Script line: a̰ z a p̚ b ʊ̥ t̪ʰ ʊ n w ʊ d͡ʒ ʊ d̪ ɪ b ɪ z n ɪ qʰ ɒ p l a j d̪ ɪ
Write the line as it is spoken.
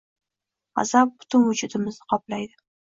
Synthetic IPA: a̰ z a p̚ b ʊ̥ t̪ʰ ʊ n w ʊ d͡ʒ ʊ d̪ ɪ m ɪ z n ɪ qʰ ɒ p l a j d̪ ɪ

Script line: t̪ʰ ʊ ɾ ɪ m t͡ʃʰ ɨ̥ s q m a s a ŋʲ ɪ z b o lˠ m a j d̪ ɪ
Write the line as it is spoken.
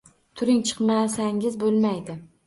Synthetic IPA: t̪ʰ ʊ ɾ ɪ ŋ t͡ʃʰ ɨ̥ q m a s a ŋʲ ɪ z b o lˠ m a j d̪ ɪ

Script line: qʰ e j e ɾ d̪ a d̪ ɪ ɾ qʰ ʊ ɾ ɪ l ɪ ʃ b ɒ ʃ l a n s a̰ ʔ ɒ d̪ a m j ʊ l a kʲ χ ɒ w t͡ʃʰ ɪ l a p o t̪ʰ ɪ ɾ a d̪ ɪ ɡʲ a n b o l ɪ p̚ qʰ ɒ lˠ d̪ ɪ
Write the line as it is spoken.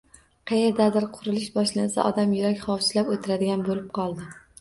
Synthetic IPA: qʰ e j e ɾ d̪ a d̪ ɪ ɾ qʰ ʊ ɾ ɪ l ɪ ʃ b ɒ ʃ l a n s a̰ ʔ ɒ d̪ a m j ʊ ɾ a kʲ χ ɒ w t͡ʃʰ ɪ l a p o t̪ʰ ɪ ɾ a d̪ ɪ ɡʲ a n b o l ɪ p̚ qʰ ɒ lˠ d̪ ɪ

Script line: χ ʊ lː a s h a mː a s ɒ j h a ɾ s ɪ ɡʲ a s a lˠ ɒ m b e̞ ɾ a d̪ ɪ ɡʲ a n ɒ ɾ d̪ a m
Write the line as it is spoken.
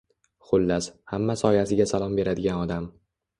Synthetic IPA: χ ʊ lː a s h a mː a s ɒ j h a s ɪ ɡʲ a s a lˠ ɒ m b e̞ ɾ a d̪ ɪ ɡʲ a n ɒ d̪ a m

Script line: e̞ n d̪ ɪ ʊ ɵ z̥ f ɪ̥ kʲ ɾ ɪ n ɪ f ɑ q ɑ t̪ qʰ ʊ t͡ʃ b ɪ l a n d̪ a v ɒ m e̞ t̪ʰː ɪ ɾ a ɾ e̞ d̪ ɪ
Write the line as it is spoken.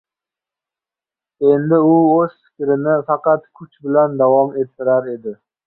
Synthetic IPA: e̞ n d̪ ɪ ʊ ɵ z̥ f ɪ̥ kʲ ɾ ɪ n ɪ f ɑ q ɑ t̪ kʰ ʊ t͡ʃ b ɪ l a n d̪ a v ɒ m e̞ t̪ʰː ɪ ɾ a ɾ e̞ d̪ ɪ

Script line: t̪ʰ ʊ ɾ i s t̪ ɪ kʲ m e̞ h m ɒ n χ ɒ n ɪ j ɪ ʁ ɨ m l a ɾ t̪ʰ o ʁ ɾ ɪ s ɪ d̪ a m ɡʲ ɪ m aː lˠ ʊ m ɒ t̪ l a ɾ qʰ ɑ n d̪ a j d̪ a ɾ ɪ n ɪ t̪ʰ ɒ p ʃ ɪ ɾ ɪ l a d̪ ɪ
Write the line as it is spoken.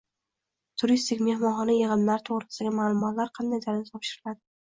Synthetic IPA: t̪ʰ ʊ ɾ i s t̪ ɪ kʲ m e̞ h m ɒ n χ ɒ n ɪ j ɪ ʁ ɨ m l a ɾ t̪ʰ o ʁ ɾ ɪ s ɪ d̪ a ɡʲ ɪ m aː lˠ ʊ m ɒ t̪ l a ɾ qʰ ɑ n d̪ a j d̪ a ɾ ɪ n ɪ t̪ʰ ɒ p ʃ ɪ ɾ ɪ l a d̪ ɪ

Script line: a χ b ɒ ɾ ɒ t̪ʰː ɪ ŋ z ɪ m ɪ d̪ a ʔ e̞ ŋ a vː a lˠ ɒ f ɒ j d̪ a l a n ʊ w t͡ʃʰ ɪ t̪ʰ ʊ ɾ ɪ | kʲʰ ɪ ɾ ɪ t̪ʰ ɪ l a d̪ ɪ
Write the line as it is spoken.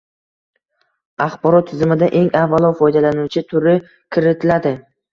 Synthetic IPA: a χ b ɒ ɾ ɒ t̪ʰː ɪ z ɪ m ɪ d̪ a ʔ e̞ ŋ a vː a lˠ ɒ f ɒ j d̪ a l a n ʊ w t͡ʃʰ ɪ t̪ʰ ʊ ɾ ɪ | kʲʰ ɪ ɾ ɪ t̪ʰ ɪ l a d̪ ɪ

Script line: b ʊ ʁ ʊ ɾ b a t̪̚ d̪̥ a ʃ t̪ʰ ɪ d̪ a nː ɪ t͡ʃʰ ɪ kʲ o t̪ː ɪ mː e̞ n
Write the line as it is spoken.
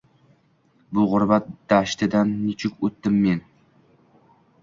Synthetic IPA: b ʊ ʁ ʊ ɾ b a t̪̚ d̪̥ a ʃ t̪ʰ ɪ d̪ a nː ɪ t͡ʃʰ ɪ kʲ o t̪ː ɪ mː e̞ n

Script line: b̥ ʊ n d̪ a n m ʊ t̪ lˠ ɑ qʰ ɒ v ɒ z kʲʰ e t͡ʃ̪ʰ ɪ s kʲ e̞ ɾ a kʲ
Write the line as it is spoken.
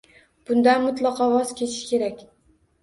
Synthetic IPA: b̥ ʊ n d̪ a n m ʊ t̪ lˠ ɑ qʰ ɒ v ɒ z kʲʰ e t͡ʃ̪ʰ ɪ ʃ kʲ e̞ ɾ a kʲ

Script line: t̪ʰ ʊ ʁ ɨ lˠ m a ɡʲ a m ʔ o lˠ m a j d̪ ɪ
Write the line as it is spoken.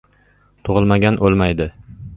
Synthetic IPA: t̪ʰ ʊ ʁ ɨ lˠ m a ɡʲ a n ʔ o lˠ m a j d̪ ɪ

